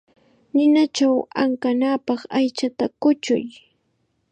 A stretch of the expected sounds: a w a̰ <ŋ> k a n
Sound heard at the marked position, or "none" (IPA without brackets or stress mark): ŋ